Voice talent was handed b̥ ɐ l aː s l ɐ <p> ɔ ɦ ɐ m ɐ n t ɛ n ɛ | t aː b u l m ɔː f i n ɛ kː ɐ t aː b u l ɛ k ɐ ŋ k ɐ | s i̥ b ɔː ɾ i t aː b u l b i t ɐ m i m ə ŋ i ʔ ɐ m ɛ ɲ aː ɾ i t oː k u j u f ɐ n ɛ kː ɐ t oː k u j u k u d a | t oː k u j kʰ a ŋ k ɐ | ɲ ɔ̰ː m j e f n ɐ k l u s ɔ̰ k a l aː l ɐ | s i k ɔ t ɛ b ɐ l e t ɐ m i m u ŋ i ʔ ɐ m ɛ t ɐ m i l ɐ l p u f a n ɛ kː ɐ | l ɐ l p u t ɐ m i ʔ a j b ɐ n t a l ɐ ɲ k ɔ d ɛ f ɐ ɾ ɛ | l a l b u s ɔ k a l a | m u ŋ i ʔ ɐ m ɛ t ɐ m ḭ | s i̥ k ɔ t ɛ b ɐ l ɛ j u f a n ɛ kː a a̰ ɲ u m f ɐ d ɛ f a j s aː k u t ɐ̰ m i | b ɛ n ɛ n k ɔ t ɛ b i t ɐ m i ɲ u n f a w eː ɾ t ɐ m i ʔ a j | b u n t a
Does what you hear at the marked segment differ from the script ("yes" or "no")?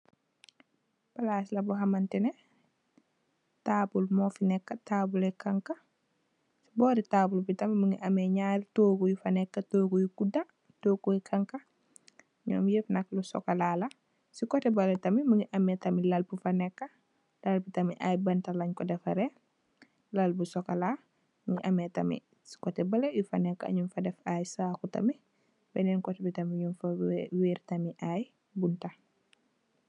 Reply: yes